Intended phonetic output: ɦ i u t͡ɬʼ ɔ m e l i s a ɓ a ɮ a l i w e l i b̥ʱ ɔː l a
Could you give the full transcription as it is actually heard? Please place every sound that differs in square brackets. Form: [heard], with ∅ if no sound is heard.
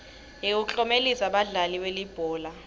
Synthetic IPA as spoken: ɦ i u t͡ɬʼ ɔ m e l i s a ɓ a ɮ a l i w e l i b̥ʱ ɔː l a